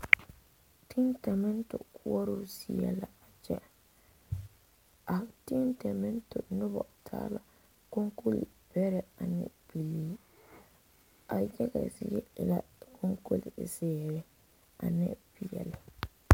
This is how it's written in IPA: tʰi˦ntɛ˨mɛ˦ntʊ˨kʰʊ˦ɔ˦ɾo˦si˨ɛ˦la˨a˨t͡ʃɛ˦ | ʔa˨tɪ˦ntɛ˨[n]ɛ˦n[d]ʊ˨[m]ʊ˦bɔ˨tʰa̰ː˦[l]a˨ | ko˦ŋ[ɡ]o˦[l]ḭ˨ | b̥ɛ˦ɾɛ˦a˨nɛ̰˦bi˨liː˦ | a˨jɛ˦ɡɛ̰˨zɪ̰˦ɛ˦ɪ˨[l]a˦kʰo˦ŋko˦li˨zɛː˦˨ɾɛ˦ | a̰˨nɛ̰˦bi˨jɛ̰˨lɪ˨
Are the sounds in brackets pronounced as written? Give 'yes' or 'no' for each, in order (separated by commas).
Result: no, no, no, yes, no, yes, yes